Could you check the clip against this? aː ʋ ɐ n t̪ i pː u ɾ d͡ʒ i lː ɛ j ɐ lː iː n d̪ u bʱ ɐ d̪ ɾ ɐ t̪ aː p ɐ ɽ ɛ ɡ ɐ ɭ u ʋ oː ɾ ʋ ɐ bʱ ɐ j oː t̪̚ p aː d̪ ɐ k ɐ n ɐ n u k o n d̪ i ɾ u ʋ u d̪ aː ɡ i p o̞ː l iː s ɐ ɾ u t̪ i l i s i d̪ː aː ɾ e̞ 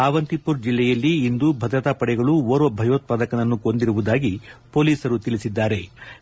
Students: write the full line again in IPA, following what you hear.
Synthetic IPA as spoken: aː ʋ ɐ n t̪ i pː u ɾ d͡ʒ i lː ɛ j ɐ lː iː n d̪ u bʱ ɐ d̪ ɾ ɐ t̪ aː p ɐ ɽ ɛ ɡ ɐ ɭ u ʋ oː ɾ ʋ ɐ bʱ ɐ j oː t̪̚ p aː d̪ ɐ k ɐ n ɐ nː u k o n d̪ i ɾ u ʋ u d̪ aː ɡ i p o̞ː l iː s ɐ ɾ u t̪ i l i s i d̪ː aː ɾ e̞